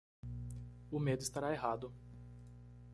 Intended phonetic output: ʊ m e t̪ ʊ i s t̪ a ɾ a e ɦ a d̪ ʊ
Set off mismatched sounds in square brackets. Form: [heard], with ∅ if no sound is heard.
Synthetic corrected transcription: ʊ m e [d̪] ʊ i s t̪ a ɾ a e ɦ a d̪ ʊ

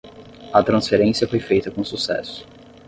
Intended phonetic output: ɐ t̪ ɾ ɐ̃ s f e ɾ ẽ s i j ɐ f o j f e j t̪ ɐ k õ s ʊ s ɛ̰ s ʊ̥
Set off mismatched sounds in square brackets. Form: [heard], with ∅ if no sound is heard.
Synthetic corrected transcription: ɐ t̪ ɾ ɐ̃ s f e ɾ ẽ s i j ɐ f o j f e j t̪ ɐ k õ s [u] s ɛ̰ s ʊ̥

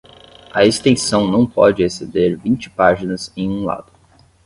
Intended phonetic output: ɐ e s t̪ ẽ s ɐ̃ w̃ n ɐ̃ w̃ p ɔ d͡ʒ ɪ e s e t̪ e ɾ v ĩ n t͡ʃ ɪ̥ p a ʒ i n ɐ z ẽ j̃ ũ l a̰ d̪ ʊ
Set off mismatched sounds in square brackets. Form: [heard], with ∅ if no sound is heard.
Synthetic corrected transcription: ɐ e s t̪ ẽ s ɐ̃ w̃ n ɐ̃ w̃ p ɔ d͡ʒ ɪ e s e [d̪] e ɾ v ĩ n t͡ʃ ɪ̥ p a ʒ i n ɐ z ẽ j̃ ũ l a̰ d̪ ʊ

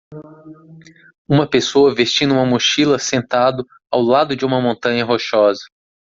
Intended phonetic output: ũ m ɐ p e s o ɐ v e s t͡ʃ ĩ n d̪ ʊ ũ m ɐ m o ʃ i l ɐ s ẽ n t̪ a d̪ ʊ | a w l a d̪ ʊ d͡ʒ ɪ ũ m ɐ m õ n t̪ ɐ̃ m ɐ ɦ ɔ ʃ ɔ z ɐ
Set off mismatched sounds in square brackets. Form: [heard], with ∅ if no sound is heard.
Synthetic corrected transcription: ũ m ɐ p e s o ɐ v e s t͡ʃ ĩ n d̪ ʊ ũ m ɐ m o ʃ i l ɐ s ẽ n t̪ a d̪ ʊ | a w l a d̪ ʊ d͡ʒ ɪ ũ m ɐ m õ n t̪ ɐ̃ [ɲ] ɐ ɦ [o] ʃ ɔ z ɐ

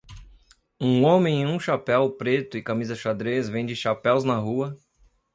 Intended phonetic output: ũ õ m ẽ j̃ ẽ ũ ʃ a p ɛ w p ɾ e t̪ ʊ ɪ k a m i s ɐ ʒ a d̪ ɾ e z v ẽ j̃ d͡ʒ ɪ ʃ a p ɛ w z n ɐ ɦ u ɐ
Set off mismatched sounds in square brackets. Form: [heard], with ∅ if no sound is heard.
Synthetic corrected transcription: ũ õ m ẽ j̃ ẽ ũ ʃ a p ɛ w p ɾ e t̪ ʊ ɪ k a m i [z] ɐ [ʃ] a d̪ ɾ e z v ẽ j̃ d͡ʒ ɪ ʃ a p ɛ w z n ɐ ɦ u ɐ

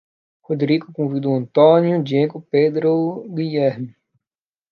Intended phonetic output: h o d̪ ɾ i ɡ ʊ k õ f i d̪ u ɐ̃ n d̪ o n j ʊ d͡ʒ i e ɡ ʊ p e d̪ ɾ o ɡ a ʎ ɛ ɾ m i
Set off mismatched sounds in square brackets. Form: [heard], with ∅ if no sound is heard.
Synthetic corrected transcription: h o d̪ ɾ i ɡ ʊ k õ [v] i d̪ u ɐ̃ n [t̪] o n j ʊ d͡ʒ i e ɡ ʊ p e d̪ ɾ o ɡ [i] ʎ ɛ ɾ m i

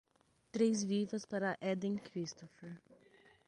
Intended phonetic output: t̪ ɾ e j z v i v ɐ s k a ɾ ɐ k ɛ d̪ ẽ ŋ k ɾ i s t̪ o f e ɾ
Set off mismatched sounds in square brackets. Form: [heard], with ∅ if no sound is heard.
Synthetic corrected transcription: t̪ ɾ e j z v i v ɐ s [p] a ɾ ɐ [ʔ] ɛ d̪ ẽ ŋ k ɾ i s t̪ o f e ɾ

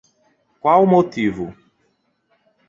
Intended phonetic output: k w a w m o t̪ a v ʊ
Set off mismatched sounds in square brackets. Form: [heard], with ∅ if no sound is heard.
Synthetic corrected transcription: k w a w m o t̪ [i] v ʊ

